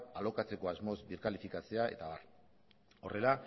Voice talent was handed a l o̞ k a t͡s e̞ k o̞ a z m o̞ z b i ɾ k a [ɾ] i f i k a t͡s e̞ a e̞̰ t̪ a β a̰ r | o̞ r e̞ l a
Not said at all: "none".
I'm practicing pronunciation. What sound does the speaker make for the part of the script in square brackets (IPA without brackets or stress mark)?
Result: l